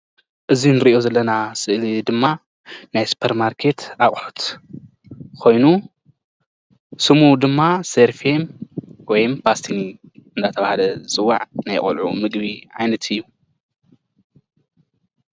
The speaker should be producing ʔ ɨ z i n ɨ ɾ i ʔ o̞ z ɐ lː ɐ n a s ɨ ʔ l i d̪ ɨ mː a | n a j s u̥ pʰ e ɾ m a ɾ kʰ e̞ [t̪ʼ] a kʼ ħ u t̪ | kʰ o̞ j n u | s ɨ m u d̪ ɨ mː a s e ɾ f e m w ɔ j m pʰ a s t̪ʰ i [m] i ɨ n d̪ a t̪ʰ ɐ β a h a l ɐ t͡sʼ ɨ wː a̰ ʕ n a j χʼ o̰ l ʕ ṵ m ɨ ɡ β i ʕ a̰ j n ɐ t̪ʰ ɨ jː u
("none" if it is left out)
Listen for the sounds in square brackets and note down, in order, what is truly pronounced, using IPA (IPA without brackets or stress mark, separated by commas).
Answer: t̪, n